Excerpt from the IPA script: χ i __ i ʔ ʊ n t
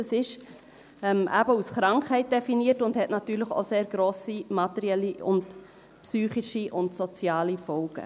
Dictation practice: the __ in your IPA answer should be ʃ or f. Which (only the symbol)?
ʃ